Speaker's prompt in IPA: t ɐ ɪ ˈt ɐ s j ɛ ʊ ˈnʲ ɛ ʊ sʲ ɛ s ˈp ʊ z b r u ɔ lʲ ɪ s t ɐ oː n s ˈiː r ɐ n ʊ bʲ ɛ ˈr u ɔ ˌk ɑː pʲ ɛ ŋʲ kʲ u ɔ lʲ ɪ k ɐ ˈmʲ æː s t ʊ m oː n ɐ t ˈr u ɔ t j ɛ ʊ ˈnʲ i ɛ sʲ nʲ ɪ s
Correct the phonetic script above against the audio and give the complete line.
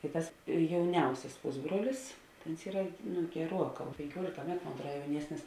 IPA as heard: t ɐ ɪ ˈt ɐ s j ɛ ʊ ˈnʲ ɛ ʊ sʲ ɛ s ˈp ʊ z b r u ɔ lʲ ɪ s t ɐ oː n s ˈiː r ɐ n ʊ ɡʲ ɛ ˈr u ɔ ˌk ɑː pʲ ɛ ŋʲ kʲ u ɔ lʲ ɪ k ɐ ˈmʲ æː t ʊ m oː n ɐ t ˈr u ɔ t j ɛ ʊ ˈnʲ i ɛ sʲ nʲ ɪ s